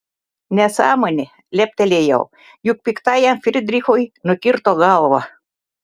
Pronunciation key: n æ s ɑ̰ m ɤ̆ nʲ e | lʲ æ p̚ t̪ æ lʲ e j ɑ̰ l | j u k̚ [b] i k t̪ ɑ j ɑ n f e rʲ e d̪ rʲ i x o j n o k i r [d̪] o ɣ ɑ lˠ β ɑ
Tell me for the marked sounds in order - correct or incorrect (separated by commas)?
incorrect, incorrect